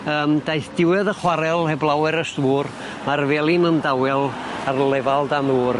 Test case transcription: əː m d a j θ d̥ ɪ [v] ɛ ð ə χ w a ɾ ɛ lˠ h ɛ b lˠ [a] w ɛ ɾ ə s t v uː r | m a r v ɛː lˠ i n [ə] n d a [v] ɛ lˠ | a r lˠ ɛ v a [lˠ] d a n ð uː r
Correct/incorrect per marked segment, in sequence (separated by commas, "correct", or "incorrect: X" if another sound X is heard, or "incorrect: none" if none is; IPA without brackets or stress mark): incorrect: w, correct, correct, incorrect: w, correct